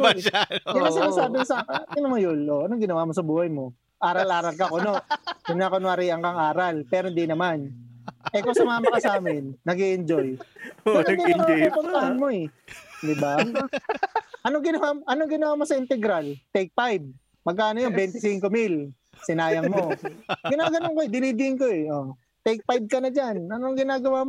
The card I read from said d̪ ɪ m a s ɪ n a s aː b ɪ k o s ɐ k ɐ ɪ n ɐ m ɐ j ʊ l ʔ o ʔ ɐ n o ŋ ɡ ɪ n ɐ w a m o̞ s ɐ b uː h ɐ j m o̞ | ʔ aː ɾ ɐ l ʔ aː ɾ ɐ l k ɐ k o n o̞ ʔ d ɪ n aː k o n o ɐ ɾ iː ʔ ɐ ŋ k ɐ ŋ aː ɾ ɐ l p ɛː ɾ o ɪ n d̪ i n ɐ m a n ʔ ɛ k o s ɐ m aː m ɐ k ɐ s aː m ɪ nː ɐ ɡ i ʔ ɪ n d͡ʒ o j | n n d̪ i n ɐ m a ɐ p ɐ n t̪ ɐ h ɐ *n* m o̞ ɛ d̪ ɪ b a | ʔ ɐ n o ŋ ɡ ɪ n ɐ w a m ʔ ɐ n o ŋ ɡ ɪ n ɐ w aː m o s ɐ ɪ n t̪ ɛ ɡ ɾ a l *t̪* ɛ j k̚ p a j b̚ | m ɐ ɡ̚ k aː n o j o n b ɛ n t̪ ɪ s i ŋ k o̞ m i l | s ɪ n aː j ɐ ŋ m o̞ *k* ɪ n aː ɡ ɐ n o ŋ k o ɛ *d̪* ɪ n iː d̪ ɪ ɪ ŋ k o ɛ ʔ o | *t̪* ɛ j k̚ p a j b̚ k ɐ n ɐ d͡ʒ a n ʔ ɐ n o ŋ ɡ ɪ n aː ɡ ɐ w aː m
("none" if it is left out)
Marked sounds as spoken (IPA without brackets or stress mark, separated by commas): n, t̪, ɡ, d̪, t̪